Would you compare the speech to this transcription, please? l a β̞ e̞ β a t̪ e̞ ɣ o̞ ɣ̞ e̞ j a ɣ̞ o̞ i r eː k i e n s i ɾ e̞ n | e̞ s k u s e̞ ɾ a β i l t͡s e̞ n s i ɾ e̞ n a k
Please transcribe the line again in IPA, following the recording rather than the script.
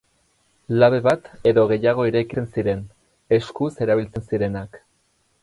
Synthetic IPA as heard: l a β̞ e̞ β a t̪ e̞ ð o̞ ɣ̞ e̞ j a ɣ̞ o̞ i ɾ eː k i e n s i ɾ e̞ n | e̞ s k u s e̞ ɾ a β i l t͡s e̞ n s i ɾ e̞ n a k